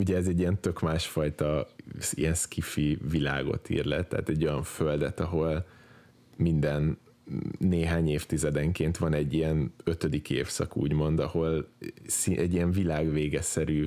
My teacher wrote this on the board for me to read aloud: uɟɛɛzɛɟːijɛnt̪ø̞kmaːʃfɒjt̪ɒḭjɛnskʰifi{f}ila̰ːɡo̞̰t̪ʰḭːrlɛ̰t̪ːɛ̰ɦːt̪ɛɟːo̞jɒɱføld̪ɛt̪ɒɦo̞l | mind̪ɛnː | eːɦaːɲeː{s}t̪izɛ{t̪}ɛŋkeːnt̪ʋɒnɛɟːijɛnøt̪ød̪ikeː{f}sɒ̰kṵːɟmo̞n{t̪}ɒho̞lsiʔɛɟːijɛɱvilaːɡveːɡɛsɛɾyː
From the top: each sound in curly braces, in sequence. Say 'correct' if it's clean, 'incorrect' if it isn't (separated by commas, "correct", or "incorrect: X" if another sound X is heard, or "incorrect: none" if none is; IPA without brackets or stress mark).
incorrect: v, incorrect: f, incorrect: d̪, correct, incorrect: d̪